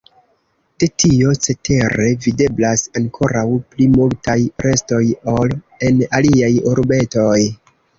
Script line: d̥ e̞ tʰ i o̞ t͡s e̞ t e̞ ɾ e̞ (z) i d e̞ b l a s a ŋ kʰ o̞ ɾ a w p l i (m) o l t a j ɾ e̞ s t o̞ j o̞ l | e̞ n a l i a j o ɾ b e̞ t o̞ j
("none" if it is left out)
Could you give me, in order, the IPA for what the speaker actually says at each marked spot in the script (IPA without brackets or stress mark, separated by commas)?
v, m